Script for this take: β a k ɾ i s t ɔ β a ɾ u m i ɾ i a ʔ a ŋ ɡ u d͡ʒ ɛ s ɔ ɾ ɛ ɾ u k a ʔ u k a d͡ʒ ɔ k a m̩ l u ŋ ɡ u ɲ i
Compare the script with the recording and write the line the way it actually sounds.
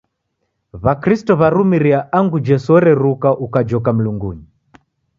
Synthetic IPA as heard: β a k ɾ i s t ɔ β a ɾ u m i ɾ i a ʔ a ŋ ɡ u d͡ʒ ɛ s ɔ ɾ ɛ ɾ u k a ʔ u k a d͡ʒ ɔ k a m̩ l u ŋ ɡ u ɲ i